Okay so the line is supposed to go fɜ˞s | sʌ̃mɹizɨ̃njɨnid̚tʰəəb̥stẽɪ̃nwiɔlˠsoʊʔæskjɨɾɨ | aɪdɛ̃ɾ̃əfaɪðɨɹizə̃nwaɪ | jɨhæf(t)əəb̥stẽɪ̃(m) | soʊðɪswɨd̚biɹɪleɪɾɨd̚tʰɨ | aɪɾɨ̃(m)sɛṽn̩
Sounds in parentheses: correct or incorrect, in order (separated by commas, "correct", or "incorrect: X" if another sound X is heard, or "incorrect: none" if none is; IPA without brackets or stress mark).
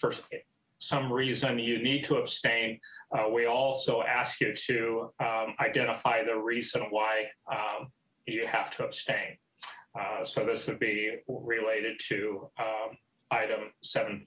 incorrect: tʰ, incorrect: n, correct